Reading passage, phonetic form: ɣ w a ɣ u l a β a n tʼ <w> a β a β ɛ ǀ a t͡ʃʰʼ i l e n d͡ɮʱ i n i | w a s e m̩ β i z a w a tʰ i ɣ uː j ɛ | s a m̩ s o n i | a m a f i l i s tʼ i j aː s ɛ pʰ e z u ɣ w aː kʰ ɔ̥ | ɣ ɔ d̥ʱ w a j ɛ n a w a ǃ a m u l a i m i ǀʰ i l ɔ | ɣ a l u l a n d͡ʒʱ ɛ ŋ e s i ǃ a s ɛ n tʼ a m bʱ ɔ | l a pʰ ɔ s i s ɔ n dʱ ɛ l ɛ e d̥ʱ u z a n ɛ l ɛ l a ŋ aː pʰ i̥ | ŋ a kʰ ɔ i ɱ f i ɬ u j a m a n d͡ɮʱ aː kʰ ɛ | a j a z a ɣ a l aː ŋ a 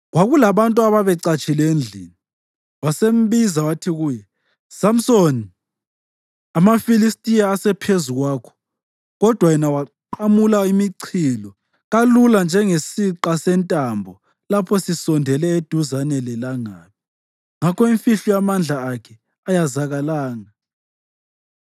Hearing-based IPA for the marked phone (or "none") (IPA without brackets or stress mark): u